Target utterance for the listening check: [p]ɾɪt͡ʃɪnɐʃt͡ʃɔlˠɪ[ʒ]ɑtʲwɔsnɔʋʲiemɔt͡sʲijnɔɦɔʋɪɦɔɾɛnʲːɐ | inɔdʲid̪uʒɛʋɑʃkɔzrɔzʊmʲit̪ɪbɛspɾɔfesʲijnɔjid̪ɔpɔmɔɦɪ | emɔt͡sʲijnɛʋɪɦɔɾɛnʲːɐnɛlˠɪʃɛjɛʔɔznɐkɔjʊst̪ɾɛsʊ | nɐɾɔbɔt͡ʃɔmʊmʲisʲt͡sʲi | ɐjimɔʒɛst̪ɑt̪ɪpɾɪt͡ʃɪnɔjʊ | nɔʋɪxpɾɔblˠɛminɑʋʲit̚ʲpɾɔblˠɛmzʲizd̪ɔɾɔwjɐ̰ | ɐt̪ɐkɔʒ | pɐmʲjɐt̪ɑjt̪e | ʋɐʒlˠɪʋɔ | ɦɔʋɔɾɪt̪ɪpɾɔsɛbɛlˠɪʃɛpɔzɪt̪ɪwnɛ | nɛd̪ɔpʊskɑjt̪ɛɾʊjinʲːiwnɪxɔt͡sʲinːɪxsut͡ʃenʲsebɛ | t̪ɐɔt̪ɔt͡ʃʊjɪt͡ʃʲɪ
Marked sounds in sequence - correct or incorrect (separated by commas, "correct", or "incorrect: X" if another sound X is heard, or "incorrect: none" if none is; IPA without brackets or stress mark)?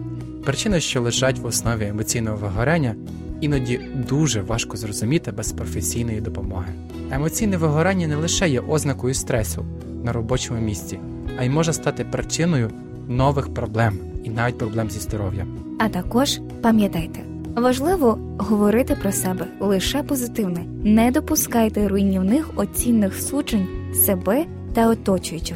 correct, correct